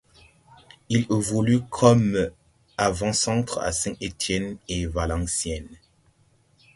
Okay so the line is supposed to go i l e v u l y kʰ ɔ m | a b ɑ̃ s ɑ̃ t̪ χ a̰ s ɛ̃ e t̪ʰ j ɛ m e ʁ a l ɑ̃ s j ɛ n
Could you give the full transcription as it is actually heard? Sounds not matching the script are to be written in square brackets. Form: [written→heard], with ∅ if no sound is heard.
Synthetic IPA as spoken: i l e v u l y kʰ ɔ m | a [b→v] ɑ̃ s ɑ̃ t̪ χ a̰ s ɛ̃ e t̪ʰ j ɛ [m→n] e [ʁ→v] a l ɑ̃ s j ɛ n